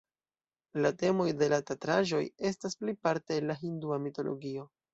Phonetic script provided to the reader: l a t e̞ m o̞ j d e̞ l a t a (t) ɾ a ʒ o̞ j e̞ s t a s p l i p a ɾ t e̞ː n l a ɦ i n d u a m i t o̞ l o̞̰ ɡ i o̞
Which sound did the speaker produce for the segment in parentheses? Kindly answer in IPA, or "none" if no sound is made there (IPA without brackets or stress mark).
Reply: t